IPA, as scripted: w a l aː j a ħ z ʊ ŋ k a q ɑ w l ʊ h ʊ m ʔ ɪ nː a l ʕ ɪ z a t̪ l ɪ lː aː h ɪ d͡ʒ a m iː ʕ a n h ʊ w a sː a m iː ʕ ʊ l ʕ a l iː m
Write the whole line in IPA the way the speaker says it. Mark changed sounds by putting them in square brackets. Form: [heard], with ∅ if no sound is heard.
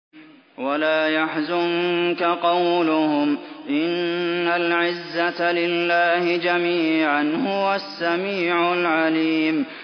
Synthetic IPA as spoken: w a l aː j a ħ z ʊ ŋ k a q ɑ w l ʊ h ʊ m ʔ ɪ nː a l ʕ ɪ [zː] a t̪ l ɪ lː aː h ɪ d͡ʒ a m iː ʕ a n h ʊ w a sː a m iː ʕ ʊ l ʕ a l iː m